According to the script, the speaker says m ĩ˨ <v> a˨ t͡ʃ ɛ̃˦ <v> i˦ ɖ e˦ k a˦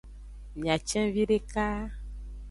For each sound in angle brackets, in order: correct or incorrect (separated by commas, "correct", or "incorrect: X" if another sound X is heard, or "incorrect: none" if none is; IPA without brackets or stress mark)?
incorrect: none, correct